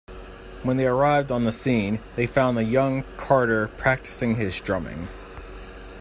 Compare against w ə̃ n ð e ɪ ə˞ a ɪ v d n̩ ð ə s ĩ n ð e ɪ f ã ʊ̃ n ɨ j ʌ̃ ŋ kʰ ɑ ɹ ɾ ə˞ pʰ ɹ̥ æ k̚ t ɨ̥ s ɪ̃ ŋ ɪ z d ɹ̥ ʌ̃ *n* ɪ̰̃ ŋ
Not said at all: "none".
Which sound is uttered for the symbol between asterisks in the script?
m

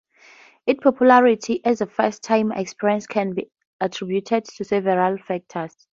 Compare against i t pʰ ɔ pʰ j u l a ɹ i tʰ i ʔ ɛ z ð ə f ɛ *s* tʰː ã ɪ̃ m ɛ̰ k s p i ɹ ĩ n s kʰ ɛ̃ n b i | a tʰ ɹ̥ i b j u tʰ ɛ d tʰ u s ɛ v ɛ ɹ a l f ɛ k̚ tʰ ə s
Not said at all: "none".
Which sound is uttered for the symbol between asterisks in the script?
s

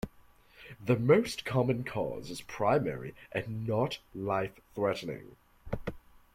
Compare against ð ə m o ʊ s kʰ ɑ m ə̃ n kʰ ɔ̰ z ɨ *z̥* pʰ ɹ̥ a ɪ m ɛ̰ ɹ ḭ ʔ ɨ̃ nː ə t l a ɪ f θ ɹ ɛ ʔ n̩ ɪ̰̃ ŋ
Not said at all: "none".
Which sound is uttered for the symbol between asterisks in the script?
z̥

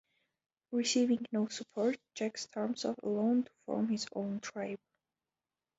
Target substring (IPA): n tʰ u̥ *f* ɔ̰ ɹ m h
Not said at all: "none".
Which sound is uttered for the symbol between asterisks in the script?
f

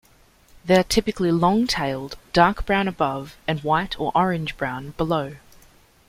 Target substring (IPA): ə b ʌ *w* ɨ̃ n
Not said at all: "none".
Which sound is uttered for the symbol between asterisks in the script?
v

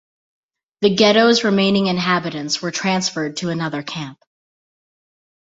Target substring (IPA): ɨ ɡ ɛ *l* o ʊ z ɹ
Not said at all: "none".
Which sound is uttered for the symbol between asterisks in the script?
ɾ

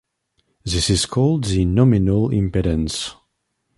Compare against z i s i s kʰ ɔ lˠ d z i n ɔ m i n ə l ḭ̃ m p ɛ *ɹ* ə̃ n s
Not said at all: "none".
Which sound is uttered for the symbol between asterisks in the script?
ɾ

